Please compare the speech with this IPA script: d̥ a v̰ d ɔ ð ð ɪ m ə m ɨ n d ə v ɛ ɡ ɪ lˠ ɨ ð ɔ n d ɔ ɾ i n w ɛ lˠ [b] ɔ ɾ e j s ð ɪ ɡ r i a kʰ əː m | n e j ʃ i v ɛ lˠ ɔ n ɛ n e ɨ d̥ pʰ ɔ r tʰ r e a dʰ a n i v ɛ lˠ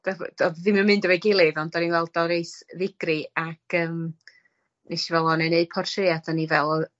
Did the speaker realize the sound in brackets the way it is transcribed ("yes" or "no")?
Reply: no